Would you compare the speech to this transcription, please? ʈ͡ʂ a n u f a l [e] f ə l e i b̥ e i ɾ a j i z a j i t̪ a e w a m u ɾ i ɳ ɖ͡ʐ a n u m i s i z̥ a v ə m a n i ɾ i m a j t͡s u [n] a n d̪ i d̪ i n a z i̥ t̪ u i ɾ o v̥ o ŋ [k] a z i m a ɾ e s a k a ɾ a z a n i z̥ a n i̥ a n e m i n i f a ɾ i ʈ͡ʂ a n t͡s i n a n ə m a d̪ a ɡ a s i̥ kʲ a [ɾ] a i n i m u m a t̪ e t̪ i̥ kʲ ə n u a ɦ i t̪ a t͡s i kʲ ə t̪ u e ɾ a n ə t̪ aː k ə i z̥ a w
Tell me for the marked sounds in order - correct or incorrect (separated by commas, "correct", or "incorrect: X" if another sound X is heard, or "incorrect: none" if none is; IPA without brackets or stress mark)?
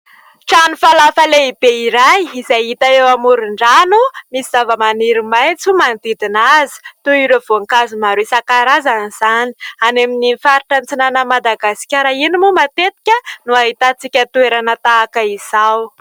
incorrect: a, incorrect: m, correct, correct